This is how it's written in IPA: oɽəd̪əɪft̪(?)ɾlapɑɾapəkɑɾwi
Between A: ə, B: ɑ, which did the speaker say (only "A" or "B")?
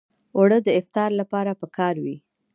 B